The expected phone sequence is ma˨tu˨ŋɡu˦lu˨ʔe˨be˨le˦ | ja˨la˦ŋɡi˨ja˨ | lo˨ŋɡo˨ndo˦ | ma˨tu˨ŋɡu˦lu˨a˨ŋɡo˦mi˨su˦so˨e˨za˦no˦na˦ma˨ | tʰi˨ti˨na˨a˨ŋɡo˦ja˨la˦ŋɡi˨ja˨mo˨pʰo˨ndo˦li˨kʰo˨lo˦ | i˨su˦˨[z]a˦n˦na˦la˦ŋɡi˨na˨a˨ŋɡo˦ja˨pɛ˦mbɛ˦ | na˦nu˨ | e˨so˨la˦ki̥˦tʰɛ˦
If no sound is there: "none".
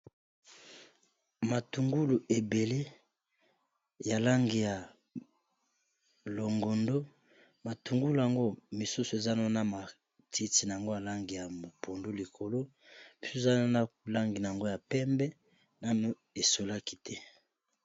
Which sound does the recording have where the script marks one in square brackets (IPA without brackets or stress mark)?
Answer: z